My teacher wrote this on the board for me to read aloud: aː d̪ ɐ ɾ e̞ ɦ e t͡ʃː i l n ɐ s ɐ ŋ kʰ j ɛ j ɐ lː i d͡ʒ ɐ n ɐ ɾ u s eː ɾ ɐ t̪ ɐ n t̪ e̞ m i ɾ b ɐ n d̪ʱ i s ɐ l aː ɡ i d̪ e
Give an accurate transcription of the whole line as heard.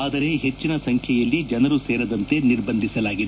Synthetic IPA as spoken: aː d̪ ɐ ɾ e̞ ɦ e t͡ʃː i n ɐ s ɐ ŋ kʰ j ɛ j ɐ lː i d͡ʒ ɐ n ɐ ɾ u s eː ɾ ɐ d̪ ɐ n t̪ e̞ n i ɾ b ɐ n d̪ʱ i s ɐ l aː ɡ i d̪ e